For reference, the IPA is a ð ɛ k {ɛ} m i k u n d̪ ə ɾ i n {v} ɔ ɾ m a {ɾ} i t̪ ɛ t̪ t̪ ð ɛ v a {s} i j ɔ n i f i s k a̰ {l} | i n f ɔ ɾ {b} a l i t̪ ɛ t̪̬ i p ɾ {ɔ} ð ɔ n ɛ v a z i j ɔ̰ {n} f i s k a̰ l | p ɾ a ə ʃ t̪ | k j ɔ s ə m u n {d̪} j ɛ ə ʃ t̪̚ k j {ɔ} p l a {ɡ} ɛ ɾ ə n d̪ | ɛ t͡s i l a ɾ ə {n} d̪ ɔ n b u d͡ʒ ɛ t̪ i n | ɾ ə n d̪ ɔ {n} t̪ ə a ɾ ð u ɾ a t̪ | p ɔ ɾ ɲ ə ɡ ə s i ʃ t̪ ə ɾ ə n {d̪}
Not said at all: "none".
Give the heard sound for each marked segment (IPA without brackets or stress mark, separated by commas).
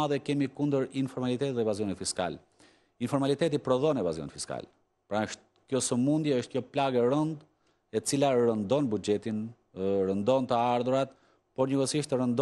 ɛ, f, l, z, l, m, ɔ, n, d̪, ɔ, ɡ, n, n, d̪